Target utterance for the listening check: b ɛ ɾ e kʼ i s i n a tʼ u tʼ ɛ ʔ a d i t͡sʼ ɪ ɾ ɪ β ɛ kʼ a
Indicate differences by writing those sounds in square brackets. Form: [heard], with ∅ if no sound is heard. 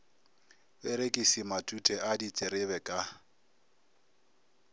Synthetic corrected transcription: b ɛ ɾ e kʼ i s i [m] a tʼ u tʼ ɛ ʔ a d i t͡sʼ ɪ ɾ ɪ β ɛ kʼ a